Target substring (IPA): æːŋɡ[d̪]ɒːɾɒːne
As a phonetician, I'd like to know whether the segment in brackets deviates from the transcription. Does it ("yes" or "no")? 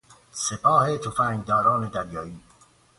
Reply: no